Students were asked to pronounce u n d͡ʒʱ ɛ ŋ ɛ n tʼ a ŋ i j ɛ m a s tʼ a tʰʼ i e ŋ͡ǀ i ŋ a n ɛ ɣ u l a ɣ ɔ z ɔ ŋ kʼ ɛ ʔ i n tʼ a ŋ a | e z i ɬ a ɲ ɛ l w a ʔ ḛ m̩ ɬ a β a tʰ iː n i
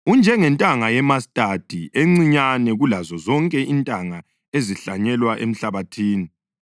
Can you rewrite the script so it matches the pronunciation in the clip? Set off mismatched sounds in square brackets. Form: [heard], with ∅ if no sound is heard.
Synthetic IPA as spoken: u n d͡ʒʱ ɛ ŋ ɛ n tʼ a ŋ [a] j ɛ m a s tʼ a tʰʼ i e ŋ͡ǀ i [ɲ] a n ɛ ɣ u l a [z] ɔ z ɔ ŋ kʼ ɛ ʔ i n tʼ a ŋ a | e z i ɬ a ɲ ɛ l w a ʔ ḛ m̩ ɬ a β a tʰ iː n i

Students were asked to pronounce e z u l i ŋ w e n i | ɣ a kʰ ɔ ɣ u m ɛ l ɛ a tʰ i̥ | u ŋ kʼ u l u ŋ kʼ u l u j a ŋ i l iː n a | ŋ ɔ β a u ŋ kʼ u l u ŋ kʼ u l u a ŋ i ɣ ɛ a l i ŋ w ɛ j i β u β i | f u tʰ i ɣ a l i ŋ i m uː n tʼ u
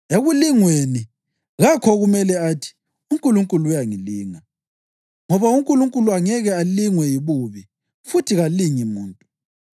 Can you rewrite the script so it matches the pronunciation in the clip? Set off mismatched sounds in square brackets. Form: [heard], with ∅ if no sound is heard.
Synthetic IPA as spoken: e [ɣ] u l i ŋ w e n i | ɣ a kʰ ɔ ɣ u m ɛ l ɛ a tʰ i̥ | u ŋ kʼ u l u ŋ kʼ u l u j a ŋ i l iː [ŋ] a | ŋ ɔ β a u ŋ kʼ u l u ŋ kʼ u l u a ŋ [ɛ] ɣ ɛ a l i ŋ w ɛ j i β u β i | f u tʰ i ɣ a l i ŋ i m uː n tʼ u

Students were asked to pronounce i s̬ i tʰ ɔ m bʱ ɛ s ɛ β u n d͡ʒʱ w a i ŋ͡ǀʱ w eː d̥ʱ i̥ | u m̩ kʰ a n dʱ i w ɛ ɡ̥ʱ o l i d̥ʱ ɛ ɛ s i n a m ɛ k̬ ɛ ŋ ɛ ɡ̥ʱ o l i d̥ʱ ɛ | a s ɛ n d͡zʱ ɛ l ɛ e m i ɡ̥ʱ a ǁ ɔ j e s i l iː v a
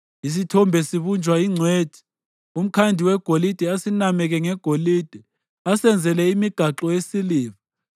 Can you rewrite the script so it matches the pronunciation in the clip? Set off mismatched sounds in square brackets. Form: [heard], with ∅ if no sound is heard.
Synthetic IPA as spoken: i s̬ i tʰ ɔ m bʱ ɛ s [i] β u n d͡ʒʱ w a i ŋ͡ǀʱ w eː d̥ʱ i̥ | u m̩ kʰ a n dʱ i w ɛ ɡ̥ʱ o l i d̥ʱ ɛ [a] s i n a m ɛ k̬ ɛ ŋ ɛ ɡ̥ʱ o l i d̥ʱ ɛ | a s ɛ n d͡zʱ ɛ l ɛ [i] m i ɡ̥ʱ a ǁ ɔ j e s i l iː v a

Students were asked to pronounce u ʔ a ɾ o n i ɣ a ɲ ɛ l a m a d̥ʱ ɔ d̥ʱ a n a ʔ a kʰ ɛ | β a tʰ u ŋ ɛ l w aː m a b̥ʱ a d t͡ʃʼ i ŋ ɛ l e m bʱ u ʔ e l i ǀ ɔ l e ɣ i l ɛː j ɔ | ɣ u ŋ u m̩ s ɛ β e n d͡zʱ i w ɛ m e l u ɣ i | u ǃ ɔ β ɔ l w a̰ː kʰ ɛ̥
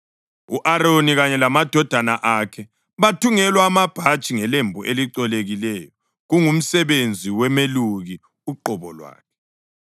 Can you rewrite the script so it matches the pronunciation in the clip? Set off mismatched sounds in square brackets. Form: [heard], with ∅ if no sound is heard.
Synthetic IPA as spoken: u ʔ a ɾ o n i ɣ a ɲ ɛ l a m a d̥ʱ ɔ d̥ʱ a n a ʔ a kʰ ɛ | β a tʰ u ŋ ɛ l w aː m a b̥ʱ a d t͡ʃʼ i ŋ ɛ l e m bʱ u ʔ e l i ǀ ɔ l e ɣ i l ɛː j ɔ | ɣ u ŋ u m̩ s ɛ β e n d͡zʱ i w ɛ m e l u ɣ i | u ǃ ɔ β ɔ l w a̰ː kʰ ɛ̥

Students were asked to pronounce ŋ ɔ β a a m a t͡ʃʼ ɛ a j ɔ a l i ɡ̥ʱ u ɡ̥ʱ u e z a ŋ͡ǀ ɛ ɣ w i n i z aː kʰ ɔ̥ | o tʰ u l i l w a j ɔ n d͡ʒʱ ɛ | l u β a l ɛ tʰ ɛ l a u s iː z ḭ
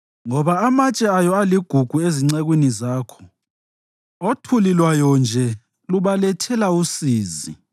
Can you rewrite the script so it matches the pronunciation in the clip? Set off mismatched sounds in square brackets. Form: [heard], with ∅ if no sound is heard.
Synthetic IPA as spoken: ŋ ɔ β a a m a t͡ʃʼ ɛ a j ɔ a l i ɡ̥ʱ u ɡ̥ʱ u e z [i] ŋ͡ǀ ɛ ɣ w i n i z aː kʰ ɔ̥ | o tʰ u l i l w a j ɔ n d͡ʒʱ ɛ | l u β a l ɛ tʰ ɛ l a u s iː z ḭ

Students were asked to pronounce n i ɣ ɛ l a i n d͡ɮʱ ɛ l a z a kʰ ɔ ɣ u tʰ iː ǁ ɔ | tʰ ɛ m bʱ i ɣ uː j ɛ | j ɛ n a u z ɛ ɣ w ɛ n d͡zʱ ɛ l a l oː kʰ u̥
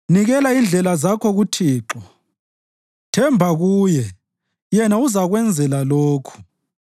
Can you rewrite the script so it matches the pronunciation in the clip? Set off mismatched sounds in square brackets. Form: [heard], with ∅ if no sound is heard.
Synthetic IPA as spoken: n i ɣ ɛ l a i n d͡ɮʱ ɛ l a z a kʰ ɔ ɣ u tʰ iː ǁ ɔ | tʰ ɛ m bʱ [a] ɣ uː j ɛ | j ɛ n a u z [a] ɣ w ɛ n d͡zʱ ɛ l a l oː kʰ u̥

